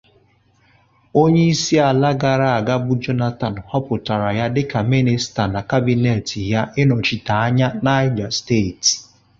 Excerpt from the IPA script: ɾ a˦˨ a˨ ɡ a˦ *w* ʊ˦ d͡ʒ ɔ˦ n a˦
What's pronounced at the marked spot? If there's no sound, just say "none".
b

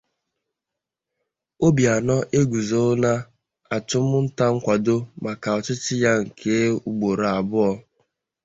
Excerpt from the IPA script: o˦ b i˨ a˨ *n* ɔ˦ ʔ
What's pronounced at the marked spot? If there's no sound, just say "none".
n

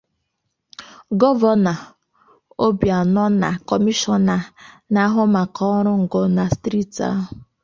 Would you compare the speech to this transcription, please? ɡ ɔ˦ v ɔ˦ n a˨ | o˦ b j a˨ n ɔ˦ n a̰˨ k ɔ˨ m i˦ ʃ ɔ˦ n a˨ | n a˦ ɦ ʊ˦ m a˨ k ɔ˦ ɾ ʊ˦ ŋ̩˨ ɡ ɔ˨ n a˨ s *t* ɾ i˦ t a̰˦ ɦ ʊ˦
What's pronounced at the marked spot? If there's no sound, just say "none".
t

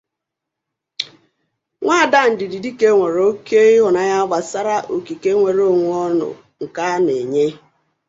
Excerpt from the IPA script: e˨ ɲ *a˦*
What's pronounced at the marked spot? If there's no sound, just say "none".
e˦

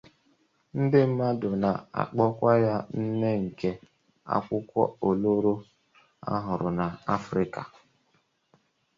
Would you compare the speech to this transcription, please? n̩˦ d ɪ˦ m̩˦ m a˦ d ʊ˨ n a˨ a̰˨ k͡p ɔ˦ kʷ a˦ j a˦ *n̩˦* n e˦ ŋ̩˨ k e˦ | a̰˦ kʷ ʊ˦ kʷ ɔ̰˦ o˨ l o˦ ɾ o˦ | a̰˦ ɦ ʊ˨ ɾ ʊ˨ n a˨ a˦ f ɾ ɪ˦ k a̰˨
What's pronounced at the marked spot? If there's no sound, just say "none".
n̩˦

